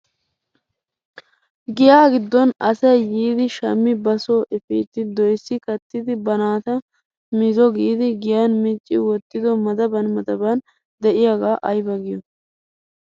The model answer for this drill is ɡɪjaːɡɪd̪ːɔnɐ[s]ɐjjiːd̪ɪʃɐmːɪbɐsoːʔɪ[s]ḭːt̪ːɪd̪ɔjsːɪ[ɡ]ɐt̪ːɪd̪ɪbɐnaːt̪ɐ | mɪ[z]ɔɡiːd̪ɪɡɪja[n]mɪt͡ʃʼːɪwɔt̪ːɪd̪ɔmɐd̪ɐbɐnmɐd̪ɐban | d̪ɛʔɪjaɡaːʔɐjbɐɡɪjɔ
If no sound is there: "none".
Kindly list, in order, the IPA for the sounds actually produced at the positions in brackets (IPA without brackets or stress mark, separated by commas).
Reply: s, f, k, z, n